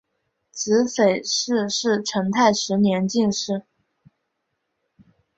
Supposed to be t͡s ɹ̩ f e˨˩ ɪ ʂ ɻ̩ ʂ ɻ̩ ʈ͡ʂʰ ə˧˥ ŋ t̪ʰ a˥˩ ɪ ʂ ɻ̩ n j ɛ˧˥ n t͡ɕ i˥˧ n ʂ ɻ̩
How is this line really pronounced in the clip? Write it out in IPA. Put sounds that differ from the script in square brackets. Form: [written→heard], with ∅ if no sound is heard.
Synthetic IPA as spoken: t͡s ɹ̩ f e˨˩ ɪ ʂ ɻ̩ ʂ ɻ̩ ʈ͡ʂʰ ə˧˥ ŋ t̪ʰ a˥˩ ɪ ʂ ɻ̩ n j ɛ˧˥ n t͡ɕ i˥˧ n ʂ ɻ̩